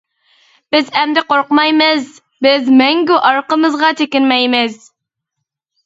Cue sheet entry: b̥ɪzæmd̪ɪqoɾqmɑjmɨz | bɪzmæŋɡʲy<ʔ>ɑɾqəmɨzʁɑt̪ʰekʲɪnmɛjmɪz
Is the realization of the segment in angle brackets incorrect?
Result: no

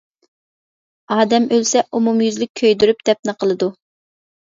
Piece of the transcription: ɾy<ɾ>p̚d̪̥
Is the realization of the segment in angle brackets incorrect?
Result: yes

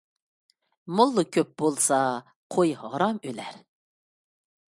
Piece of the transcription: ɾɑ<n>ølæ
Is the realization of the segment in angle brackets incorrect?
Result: yes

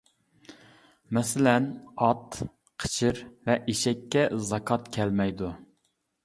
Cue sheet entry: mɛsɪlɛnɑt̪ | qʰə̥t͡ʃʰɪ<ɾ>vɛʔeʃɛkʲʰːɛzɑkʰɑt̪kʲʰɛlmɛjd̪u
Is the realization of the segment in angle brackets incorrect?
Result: no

